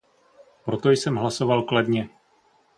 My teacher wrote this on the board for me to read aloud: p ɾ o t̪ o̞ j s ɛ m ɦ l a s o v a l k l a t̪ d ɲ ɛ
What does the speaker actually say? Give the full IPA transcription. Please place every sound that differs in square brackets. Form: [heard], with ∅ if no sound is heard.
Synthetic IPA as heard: p ɾ o t̪ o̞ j s ɛ m ɦ l a s o v a l k l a [∅] d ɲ ɛ